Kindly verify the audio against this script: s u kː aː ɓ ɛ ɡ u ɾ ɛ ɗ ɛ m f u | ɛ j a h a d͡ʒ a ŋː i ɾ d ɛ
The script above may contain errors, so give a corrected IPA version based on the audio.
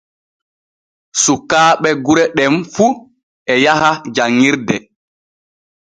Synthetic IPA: s u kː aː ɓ ɛ ɡ u ɾ ɛ ɗ ɛ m f u | ɛ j a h a d͡ʒ a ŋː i ɾ d ɛ